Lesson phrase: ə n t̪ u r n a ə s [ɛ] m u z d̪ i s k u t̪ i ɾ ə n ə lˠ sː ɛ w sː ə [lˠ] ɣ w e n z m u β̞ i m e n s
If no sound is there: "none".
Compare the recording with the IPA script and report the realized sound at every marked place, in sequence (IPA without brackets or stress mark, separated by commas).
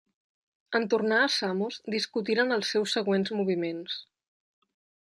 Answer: a, none